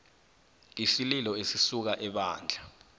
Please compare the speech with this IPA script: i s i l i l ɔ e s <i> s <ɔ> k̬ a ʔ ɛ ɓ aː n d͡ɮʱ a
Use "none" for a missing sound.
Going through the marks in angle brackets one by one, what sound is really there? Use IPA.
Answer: i, u

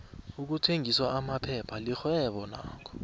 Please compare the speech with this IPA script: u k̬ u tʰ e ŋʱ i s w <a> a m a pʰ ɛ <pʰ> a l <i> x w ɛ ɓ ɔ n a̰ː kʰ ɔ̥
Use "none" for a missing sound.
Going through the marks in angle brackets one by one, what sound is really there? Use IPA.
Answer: a, pʰ, i

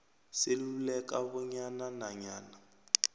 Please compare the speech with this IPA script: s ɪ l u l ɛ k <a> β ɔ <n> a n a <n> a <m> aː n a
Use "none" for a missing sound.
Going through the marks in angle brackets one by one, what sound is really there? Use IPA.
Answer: a, ɲ, n, ɲ

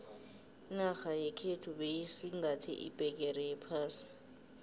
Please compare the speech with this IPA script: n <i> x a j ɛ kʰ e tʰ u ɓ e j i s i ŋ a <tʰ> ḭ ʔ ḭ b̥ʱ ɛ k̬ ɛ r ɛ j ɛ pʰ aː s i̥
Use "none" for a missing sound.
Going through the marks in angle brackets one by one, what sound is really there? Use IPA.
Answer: a, tʰ

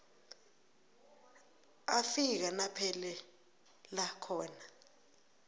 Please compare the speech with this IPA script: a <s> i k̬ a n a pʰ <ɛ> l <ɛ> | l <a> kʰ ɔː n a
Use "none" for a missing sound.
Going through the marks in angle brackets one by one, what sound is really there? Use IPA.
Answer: f, ɛ, ɛ, a

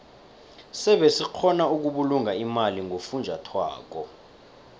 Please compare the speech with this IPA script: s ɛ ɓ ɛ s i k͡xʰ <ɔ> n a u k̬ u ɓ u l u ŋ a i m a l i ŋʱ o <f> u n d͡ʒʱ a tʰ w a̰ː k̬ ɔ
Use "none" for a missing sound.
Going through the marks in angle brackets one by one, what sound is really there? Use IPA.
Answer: ɔ, f

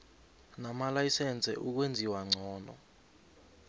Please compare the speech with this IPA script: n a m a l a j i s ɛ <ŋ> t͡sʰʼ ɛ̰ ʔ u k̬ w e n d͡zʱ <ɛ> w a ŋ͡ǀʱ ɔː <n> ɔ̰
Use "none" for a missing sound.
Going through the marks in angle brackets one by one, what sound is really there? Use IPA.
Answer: n, i, n

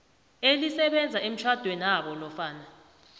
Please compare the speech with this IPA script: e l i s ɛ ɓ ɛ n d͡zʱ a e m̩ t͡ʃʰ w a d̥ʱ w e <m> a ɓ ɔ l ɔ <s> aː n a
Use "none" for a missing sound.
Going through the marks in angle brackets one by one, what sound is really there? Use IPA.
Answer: n, f

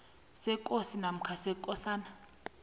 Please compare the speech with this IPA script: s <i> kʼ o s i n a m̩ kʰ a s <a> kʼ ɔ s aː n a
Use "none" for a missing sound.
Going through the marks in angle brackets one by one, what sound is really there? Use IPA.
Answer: ɛ, ɛ

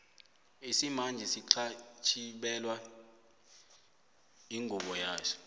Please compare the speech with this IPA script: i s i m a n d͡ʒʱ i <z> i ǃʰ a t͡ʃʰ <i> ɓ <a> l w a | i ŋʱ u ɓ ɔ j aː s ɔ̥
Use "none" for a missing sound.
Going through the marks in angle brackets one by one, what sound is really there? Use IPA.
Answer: s, i, ɛ

